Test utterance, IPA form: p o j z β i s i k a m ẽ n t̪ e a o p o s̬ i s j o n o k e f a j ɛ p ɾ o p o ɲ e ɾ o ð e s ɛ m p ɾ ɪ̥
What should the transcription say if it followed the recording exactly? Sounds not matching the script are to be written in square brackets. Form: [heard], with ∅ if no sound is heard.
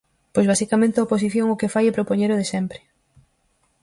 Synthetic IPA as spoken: p o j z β [a] s i k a m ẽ n t̪ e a o p o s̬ i [θ] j o [ŋ] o k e f a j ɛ p ɾ o p o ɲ e ɾ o ð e s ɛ m p ɾ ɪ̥